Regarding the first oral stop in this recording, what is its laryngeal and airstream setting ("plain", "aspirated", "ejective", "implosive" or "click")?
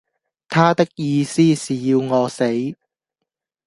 aspirated